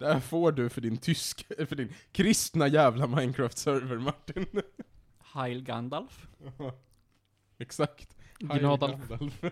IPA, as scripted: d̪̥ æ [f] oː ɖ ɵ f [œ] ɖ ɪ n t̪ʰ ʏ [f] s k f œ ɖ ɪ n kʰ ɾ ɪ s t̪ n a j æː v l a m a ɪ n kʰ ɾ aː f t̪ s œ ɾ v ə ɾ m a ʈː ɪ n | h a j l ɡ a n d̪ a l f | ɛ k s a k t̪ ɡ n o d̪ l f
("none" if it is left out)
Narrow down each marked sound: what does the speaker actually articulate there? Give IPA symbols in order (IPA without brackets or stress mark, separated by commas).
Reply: f, œ, none